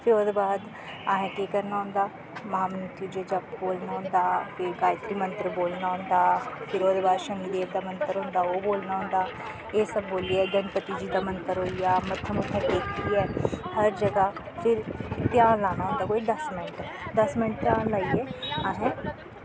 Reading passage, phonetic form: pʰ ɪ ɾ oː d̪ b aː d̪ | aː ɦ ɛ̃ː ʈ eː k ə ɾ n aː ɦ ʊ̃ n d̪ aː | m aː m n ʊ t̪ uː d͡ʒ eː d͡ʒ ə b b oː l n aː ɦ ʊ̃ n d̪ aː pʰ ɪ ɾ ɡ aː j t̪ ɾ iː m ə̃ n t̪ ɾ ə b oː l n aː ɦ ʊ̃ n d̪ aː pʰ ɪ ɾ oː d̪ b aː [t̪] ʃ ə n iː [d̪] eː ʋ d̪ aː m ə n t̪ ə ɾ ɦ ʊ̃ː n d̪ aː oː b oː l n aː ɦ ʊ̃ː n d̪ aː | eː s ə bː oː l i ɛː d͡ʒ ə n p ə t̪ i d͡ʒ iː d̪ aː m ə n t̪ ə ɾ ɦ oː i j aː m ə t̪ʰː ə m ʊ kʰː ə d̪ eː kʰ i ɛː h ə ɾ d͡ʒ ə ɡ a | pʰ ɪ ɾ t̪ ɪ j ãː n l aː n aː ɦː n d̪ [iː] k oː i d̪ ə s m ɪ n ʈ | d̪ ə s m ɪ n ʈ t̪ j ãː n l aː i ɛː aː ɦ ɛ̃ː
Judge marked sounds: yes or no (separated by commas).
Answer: no, yes, no